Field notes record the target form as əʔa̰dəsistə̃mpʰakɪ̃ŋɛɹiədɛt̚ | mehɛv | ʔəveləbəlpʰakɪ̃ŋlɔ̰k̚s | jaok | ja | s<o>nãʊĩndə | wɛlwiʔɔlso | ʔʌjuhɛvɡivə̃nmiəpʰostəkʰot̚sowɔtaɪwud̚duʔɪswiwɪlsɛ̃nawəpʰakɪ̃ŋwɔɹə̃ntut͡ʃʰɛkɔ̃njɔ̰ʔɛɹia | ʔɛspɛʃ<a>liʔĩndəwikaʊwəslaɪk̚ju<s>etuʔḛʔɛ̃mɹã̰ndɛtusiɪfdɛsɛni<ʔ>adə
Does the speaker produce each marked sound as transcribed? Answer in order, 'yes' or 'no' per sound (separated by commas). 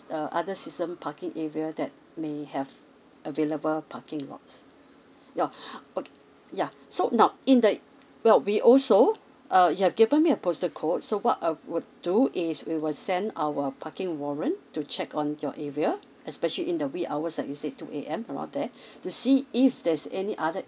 yes, no, yes, yes